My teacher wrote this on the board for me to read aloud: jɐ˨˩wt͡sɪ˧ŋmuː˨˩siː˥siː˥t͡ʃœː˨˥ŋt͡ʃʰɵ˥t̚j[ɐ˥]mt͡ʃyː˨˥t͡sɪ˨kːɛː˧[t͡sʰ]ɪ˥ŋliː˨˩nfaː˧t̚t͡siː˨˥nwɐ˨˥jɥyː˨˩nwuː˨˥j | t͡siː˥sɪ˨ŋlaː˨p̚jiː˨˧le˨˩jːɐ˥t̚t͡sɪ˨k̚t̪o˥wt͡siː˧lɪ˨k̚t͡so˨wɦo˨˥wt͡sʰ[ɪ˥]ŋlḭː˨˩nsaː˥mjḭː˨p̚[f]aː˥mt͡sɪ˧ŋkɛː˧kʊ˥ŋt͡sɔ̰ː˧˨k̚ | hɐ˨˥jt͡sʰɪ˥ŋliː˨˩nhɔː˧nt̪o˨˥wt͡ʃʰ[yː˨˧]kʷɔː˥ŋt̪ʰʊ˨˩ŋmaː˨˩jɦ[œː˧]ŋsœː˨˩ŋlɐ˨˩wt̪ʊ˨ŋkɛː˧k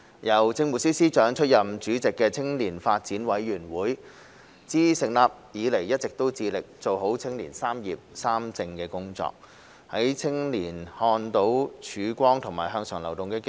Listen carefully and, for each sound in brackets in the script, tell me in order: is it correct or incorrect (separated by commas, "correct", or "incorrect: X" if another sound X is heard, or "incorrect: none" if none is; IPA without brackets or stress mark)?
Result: incorrect: ɐ˨, correct, correct, incorrect: s, correct, correct